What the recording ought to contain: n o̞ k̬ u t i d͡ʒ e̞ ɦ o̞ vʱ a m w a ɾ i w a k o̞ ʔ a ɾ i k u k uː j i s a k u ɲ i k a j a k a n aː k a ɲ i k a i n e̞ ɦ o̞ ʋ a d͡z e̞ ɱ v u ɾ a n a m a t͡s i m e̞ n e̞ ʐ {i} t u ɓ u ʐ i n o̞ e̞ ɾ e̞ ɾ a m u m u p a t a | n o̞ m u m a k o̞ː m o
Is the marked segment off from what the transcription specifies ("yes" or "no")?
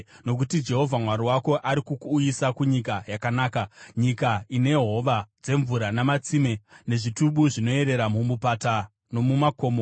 no